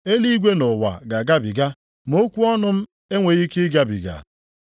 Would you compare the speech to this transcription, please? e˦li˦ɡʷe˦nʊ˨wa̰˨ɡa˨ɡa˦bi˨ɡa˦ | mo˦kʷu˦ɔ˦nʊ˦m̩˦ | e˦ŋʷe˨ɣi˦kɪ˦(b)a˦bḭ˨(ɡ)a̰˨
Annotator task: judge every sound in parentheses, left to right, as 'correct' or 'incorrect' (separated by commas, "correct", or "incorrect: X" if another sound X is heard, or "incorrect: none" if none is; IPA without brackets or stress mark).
incorrect: ɡ, correct